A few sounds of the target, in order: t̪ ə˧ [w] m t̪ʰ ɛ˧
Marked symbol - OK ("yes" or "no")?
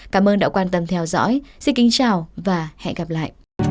no